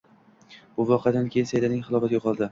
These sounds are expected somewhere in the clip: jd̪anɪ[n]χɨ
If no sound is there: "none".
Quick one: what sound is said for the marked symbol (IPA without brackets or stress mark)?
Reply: ŋ